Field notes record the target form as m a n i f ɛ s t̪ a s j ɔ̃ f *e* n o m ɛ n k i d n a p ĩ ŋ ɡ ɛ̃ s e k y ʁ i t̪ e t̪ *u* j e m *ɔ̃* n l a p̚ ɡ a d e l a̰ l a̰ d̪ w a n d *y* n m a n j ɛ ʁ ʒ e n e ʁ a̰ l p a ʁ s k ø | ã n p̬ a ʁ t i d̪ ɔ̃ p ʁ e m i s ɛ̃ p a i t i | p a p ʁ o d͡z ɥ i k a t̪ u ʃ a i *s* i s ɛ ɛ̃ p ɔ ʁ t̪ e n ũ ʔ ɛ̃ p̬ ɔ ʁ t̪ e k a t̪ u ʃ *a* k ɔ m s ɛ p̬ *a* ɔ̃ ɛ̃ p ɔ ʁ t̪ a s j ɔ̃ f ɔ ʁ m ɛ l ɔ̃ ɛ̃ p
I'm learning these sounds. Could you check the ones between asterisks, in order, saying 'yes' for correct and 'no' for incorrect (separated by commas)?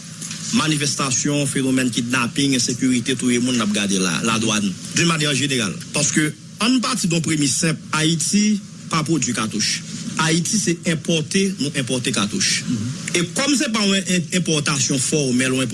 yes, yes, no, yes, no, no, yes